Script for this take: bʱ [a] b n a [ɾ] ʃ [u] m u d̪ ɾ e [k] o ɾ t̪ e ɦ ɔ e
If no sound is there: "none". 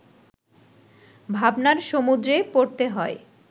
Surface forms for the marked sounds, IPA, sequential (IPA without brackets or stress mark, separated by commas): a, ɾ, o, p